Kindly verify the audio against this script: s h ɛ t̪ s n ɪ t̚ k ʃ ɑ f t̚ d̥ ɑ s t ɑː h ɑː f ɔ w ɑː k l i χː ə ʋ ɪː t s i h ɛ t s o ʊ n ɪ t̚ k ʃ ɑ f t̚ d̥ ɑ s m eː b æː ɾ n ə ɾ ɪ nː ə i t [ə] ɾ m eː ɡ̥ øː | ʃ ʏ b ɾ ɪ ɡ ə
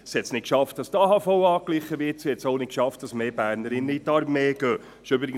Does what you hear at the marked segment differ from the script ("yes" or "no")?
yes